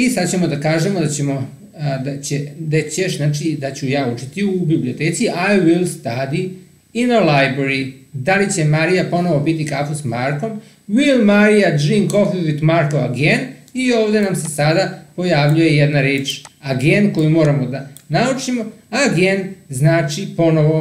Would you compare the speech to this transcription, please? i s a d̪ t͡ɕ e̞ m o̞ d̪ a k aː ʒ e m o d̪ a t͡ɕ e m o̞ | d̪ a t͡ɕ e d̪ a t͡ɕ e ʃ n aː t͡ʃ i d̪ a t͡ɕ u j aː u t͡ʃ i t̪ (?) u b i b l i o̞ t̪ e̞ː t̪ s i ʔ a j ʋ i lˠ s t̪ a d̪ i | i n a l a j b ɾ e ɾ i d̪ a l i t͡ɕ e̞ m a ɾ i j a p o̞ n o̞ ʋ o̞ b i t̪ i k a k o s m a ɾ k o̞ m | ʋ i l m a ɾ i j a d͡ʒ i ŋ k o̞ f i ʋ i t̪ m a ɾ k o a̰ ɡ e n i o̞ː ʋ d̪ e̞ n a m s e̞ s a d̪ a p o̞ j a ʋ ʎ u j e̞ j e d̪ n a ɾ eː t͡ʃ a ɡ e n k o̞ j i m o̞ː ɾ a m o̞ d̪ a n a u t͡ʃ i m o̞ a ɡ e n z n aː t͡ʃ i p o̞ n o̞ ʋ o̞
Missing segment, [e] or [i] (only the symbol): i